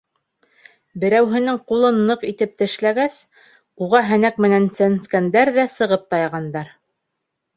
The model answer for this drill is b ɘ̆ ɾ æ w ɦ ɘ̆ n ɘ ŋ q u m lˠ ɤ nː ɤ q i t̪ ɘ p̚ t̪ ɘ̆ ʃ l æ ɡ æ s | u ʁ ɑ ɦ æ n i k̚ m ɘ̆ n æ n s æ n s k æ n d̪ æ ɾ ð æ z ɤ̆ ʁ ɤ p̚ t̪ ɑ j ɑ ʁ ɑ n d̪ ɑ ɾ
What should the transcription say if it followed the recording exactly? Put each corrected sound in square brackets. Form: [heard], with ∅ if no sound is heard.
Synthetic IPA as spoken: b ɘ̆ ɾ æ w ɦ ɘ̆ n ɘ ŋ q u [∅] lˠ ɤ nː ɤ q i t̪ ɘ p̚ t̪ ɘ̆ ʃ l æ ɡ æ s | u ʁ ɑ ɦ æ n [æ] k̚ m ɘ̆ n æ n s æ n s k æ n d̪ æ ɾ ð æ [s] ɤ̆ ʁ ɤ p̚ t̪ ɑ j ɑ ʁ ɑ n d̪ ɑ ɾ